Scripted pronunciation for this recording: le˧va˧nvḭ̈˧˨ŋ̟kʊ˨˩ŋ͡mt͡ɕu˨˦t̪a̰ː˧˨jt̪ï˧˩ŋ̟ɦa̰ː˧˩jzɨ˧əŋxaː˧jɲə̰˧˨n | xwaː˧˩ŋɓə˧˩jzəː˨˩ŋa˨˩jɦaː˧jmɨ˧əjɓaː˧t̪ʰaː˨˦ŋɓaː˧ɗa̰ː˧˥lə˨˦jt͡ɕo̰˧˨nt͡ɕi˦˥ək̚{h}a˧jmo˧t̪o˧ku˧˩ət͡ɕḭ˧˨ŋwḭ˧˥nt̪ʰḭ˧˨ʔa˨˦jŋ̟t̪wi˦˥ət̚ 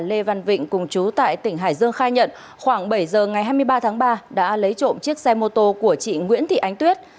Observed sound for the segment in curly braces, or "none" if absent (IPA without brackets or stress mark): s